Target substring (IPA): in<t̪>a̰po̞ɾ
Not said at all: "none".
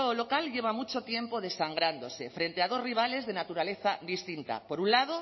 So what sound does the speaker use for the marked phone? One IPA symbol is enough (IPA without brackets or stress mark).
t̪